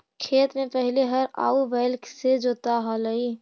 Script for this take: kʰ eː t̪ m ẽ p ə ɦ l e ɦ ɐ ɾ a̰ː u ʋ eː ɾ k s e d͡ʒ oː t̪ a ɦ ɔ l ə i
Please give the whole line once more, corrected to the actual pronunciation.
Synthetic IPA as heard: kʰ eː t̪ m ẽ p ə ɦ l e ɦ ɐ ɾ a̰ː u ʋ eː l k s e d͡ʒ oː t̪ a ɦ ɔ l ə i